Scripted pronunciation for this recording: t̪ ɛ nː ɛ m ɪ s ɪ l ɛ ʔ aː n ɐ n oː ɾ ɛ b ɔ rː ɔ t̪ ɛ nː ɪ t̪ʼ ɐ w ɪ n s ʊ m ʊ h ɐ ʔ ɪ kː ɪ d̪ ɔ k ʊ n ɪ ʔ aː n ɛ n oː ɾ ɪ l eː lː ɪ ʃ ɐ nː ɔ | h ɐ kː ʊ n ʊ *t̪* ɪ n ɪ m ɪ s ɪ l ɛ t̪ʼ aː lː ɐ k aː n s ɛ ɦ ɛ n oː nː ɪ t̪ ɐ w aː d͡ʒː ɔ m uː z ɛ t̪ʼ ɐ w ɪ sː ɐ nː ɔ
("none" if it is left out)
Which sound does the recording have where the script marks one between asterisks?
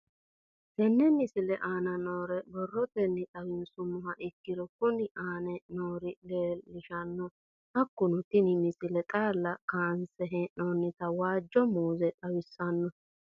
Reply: t̪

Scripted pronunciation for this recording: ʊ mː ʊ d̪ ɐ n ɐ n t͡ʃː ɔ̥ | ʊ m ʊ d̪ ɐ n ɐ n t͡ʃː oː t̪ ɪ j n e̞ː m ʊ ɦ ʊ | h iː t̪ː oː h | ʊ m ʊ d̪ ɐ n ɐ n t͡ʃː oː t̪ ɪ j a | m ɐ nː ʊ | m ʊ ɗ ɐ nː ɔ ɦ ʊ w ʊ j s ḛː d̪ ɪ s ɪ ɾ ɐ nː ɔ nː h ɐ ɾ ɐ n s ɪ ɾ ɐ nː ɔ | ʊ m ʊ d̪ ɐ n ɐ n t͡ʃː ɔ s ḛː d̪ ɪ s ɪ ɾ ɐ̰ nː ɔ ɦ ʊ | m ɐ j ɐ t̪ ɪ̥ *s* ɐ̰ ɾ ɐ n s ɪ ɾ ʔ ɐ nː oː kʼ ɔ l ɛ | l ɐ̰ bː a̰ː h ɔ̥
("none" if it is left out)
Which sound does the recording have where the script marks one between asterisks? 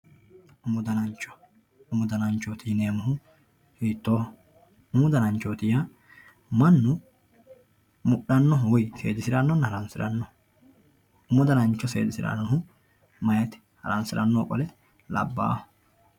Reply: h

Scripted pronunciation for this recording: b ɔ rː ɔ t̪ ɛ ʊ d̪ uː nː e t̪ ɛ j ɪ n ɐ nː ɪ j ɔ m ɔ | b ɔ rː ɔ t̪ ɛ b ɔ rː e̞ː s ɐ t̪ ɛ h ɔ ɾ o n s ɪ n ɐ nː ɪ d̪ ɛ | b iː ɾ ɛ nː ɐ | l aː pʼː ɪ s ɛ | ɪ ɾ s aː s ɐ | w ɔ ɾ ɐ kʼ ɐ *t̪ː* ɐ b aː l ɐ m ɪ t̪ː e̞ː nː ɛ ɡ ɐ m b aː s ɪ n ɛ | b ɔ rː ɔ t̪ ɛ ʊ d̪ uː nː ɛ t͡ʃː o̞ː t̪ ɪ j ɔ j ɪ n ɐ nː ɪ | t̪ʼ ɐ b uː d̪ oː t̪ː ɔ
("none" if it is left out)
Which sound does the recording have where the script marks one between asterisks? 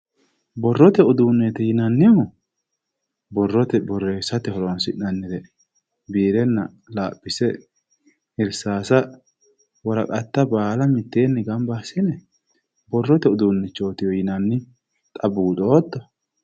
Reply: t̪ː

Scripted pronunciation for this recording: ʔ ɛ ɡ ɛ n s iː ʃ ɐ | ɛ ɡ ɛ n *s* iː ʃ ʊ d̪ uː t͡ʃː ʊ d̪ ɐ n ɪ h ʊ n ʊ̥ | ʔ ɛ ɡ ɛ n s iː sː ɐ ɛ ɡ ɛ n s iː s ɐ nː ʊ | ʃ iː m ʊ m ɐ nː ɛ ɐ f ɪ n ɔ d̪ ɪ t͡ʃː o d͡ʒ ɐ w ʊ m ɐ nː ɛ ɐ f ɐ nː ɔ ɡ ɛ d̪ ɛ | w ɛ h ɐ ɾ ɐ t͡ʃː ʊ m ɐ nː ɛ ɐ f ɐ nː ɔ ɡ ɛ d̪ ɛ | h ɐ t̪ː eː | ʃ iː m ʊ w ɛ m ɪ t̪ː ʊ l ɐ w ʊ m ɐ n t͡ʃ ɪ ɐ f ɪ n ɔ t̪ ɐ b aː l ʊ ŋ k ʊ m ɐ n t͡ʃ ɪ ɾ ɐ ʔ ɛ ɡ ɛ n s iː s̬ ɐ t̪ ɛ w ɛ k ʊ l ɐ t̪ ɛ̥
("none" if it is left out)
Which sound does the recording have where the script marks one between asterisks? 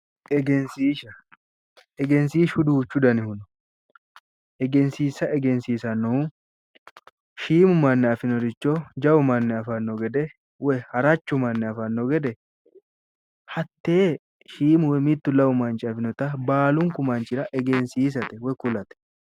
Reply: s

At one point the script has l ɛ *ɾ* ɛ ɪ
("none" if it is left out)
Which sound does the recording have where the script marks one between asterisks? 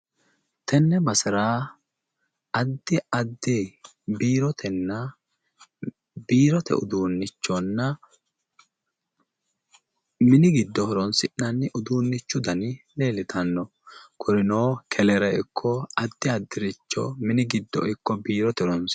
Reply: ɾ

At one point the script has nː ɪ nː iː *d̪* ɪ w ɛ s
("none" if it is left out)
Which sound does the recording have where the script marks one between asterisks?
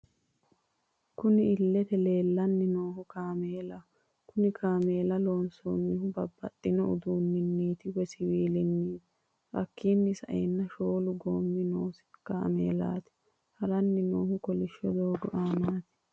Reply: t̪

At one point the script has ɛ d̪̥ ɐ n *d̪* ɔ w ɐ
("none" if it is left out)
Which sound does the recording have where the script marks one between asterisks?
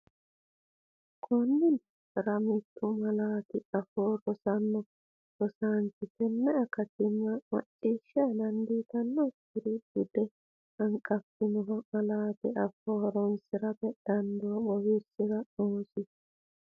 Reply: d̪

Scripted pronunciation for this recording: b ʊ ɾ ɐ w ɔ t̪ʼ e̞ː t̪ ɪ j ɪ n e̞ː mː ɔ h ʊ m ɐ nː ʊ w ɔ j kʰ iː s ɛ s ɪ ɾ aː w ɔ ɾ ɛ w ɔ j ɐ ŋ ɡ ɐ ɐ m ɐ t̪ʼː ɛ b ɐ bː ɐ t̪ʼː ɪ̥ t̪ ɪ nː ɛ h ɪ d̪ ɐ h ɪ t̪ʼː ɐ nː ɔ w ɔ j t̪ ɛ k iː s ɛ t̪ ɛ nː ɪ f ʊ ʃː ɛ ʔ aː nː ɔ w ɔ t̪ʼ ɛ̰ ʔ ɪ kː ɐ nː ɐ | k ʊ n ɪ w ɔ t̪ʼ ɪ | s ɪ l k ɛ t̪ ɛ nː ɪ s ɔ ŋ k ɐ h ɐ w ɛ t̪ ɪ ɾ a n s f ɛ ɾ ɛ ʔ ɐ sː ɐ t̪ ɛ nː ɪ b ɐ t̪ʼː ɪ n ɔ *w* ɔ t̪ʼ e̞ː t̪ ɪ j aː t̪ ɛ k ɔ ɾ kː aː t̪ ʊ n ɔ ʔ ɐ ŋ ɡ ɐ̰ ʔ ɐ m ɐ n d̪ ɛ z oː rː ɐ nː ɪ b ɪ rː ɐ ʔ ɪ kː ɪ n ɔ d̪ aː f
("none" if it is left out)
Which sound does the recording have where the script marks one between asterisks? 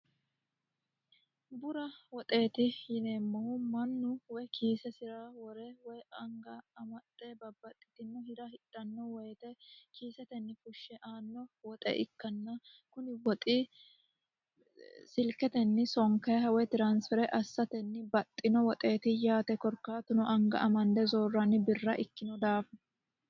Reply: w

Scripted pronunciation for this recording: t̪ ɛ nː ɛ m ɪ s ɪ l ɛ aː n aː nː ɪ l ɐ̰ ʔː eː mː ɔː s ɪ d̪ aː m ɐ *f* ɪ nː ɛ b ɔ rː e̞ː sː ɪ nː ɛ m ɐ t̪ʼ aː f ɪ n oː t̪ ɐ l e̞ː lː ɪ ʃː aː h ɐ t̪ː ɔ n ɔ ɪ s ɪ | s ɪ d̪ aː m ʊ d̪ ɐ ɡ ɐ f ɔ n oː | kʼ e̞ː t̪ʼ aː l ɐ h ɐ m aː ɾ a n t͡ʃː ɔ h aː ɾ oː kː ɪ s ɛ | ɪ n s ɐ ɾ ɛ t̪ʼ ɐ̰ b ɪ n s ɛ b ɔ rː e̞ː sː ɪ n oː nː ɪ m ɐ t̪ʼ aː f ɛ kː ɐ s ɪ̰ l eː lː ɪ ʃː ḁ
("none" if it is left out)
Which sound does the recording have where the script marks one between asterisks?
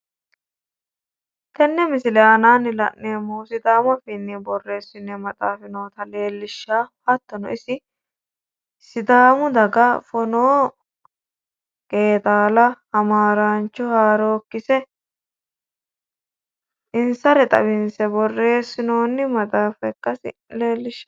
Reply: f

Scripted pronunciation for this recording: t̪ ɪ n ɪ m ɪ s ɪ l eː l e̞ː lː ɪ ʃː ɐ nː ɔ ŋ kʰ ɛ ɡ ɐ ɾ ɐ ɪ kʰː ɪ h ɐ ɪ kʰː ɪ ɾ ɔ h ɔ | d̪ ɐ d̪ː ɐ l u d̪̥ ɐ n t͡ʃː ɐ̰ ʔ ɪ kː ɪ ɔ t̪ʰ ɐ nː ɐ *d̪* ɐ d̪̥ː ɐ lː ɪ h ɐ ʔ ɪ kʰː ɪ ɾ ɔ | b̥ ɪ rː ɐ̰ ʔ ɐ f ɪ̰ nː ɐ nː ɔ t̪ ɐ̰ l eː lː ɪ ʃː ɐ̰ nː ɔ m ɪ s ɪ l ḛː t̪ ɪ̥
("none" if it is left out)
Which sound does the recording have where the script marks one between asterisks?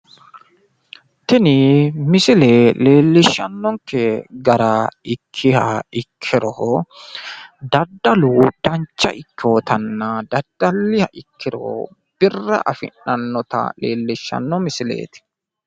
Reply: d̪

